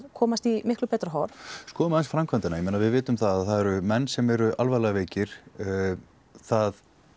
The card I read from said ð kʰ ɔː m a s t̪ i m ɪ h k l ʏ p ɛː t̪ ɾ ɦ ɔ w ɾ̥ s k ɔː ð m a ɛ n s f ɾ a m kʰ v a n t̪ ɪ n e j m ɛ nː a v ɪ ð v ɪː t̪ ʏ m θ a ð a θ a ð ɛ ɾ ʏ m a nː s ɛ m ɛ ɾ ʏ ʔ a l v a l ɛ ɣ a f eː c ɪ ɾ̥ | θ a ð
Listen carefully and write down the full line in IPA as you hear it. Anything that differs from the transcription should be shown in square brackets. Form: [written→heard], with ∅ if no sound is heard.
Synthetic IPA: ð kʰ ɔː m a s t̪ i m ɪ h k l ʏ p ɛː t̪ ɾ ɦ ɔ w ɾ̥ s k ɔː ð m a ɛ n s f ɾ a m kʰ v a n t̪ ɪ n [e→a] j m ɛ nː a v ɪ ð v ɪː t̪ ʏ m θ a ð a θ a ð ɛ ɾ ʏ m [a→ɛ] nː s ɛ m ɛ ɾ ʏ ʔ a l v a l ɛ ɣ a [f→v] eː c ɪ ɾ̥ | θ a ð